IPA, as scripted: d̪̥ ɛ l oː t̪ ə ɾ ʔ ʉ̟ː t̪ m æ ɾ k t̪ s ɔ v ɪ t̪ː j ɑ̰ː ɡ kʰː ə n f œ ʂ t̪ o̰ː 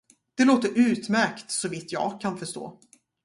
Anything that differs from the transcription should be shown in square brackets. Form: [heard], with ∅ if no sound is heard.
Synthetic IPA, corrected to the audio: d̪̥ ɛ l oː t̪ ə ɾ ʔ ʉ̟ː t̪ m æ ɾ k t̪ s ɔ v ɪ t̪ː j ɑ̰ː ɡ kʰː [a] n f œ ʂ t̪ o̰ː